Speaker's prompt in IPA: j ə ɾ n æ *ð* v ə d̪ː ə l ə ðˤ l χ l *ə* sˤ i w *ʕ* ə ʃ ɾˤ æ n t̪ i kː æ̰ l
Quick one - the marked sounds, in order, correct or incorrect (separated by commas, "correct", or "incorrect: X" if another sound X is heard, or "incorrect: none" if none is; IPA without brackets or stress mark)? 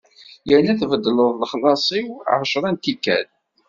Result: incorrect: θ, incorrect: ɑ, correct